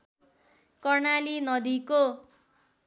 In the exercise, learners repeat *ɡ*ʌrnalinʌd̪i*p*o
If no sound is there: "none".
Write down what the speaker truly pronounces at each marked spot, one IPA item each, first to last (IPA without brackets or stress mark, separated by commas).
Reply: k, k